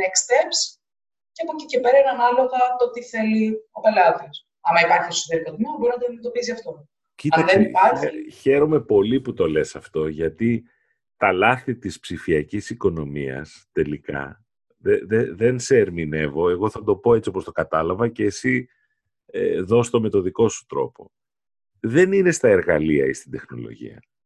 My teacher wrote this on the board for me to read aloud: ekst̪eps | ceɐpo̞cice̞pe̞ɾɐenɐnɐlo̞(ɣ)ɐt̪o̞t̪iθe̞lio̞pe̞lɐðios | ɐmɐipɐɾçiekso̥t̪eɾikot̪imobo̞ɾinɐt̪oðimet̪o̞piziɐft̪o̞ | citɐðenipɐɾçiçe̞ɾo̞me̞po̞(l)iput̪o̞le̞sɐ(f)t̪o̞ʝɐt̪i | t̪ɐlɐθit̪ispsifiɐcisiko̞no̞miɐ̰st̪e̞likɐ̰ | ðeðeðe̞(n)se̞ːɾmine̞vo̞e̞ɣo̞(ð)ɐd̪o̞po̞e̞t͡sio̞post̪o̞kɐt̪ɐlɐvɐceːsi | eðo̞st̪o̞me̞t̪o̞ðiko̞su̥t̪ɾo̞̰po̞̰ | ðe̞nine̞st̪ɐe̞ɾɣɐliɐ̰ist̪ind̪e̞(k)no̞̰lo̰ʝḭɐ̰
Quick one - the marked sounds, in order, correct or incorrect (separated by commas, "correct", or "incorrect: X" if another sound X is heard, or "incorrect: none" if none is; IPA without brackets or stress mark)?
correct, correct, correct, correct, incorrect: θ, incorrect: x